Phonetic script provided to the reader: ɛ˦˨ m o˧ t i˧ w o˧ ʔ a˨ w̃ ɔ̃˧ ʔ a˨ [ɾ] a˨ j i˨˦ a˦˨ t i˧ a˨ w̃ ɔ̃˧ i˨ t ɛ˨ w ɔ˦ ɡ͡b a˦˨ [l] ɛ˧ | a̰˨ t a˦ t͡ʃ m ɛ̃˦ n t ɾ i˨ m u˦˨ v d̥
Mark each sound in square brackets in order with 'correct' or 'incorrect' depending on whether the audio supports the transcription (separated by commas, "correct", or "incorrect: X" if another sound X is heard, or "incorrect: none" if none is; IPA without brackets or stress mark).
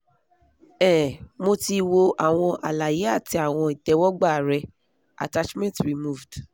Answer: incorrect: l, incorrect: ɾ